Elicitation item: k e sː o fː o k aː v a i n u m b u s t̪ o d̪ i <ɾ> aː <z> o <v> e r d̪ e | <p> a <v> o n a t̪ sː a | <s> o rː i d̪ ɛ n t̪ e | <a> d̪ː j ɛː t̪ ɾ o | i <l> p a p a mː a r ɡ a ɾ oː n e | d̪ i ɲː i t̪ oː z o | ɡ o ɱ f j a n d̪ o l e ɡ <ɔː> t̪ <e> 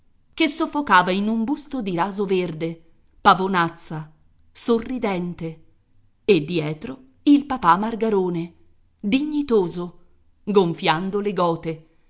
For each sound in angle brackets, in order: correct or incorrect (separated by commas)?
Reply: correct, correct, correct, correct, correct, correct, incorrect, correct, correct, correct